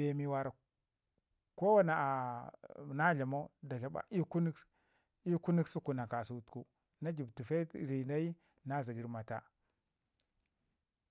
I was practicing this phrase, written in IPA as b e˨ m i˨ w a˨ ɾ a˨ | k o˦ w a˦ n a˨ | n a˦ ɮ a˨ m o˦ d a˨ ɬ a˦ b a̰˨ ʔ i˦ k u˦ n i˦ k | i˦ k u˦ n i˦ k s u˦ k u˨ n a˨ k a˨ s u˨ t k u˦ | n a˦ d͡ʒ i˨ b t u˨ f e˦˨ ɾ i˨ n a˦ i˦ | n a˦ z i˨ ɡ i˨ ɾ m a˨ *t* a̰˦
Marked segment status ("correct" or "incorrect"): correct